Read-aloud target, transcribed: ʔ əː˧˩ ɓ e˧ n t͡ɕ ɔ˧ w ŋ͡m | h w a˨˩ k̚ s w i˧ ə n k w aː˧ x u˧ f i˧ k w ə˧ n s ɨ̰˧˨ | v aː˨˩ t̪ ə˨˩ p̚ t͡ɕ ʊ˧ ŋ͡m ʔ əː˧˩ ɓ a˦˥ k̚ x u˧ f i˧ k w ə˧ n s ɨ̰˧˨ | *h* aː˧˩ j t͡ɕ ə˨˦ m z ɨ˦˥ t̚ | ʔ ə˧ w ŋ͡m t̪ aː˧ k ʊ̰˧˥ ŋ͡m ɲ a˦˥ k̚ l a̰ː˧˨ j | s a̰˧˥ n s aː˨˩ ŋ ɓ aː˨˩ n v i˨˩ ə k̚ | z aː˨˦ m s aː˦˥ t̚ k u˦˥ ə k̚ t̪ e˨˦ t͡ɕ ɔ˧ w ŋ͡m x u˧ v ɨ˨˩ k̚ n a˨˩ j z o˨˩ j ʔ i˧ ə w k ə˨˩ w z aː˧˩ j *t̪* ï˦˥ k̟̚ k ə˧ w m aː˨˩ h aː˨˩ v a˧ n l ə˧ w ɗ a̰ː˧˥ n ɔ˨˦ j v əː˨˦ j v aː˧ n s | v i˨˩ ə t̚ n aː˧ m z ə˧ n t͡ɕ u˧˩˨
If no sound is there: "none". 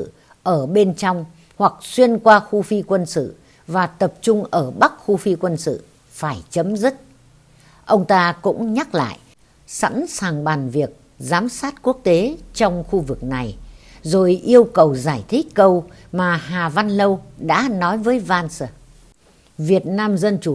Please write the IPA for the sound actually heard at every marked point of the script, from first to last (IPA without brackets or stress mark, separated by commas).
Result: f, t̪ʰ